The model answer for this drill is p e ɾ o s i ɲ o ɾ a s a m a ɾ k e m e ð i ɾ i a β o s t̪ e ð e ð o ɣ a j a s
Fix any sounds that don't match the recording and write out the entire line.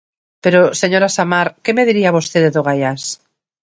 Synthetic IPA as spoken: p e ɾ o s e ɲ o ɾ a s a m a ɾ k e m e ð i ɾ i a β o s t̪ e ð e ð o ɣ a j a s